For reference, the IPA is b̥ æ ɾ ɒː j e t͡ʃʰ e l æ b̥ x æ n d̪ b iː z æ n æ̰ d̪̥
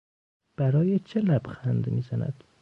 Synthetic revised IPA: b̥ æ ɾ ɒː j e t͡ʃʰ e l æ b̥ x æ n d̪ m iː z æ n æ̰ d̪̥